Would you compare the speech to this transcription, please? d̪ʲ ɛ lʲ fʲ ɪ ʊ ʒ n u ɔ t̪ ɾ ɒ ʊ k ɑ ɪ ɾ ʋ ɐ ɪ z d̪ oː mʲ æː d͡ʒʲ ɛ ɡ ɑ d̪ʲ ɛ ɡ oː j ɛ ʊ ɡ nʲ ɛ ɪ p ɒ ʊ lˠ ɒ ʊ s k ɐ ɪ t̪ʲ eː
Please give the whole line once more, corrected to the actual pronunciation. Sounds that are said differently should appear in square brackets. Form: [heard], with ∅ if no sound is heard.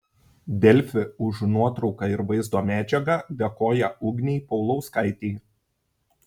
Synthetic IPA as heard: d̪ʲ ɛ lʲ fʲ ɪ ʊ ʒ n u ɔ t̪ ɾ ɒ ʊ k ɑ ɪ ɾ ʋ ɐ ɪ z d̪ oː mʲ æː d͡ʒʲ ɛ ɡ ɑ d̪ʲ ɛ [k] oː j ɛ ʊ ɡ nʲ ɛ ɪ p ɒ ʊ lˠ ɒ ʊ s k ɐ ɪ t̪ʲ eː